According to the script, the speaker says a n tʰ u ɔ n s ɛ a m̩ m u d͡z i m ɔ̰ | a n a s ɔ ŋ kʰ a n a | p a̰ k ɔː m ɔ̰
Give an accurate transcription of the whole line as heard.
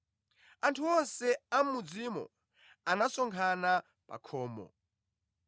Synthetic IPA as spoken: a n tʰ u ɔ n s ɛ a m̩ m u d͡z i m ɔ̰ | a n a s ɔ ŋ kʰ a n a | p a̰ kʰ ɔː m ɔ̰